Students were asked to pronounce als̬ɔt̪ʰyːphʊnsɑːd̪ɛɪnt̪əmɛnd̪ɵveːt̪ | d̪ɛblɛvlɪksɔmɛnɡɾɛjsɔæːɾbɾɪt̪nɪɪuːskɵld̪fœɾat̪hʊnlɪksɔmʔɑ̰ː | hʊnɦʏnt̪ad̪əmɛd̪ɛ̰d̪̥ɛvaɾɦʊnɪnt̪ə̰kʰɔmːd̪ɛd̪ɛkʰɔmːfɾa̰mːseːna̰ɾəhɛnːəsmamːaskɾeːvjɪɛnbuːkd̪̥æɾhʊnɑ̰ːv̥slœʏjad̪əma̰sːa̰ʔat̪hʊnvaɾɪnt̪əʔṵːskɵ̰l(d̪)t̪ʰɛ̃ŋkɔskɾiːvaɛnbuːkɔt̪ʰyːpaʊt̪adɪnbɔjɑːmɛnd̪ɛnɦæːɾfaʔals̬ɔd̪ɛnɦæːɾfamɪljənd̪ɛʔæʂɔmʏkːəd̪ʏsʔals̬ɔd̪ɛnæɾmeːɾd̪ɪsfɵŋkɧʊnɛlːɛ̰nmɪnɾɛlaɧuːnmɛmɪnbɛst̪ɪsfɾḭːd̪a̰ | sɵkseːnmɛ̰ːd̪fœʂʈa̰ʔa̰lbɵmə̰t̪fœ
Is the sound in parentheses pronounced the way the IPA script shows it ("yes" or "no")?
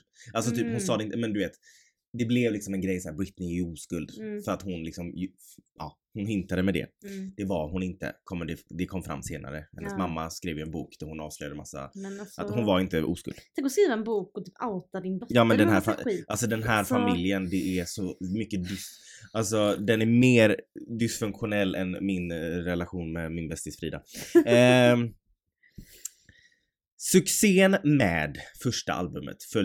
yes